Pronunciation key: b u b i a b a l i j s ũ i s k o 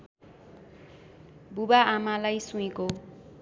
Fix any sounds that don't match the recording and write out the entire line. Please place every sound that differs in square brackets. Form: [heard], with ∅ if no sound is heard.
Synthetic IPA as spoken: b u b [a] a [m] a l [a] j s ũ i [∅] k o